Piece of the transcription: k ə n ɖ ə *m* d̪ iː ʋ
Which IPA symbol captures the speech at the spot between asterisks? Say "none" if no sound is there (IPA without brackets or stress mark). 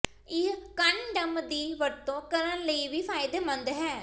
m